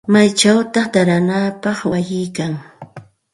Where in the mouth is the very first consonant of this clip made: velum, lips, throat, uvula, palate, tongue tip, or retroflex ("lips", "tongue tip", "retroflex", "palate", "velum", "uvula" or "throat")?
lips